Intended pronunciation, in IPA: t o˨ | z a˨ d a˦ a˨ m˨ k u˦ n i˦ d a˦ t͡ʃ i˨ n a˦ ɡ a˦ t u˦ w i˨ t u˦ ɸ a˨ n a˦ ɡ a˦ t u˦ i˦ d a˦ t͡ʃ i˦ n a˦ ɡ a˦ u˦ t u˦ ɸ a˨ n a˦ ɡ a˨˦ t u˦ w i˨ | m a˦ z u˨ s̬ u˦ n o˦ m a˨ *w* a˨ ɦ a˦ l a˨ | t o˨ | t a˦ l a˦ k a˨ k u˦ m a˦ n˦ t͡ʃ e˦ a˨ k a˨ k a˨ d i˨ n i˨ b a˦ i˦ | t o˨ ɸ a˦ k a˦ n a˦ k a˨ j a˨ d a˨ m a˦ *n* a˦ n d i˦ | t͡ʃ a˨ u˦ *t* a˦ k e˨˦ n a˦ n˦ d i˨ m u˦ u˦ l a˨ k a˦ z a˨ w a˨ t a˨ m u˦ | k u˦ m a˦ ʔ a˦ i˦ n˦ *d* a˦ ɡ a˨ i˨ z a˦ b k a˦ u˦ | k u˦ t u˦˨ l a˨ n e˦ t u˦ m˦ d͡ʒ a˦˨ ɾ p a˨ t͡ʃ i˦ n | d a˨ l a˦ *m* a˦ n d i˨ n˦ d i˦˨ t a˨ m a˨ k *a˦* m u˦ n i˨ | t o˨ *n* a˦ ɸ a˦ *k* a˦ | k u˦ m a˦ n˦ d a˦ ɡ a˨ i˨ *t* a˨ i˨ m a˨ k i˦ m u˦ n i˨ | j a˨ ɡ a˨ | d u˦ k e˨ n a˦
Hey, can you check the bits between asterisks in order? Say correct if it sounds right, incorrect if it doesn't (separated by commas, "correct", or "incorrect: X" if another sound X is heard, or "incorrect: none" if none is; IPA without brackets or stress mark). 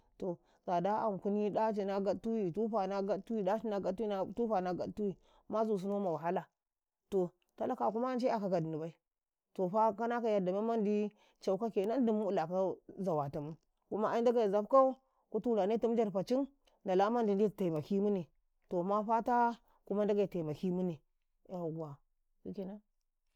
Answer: correct, incorrect: m, incorrect: k, correct, correct, incorrect: i˦, incorrect: m, incorrect: t, correct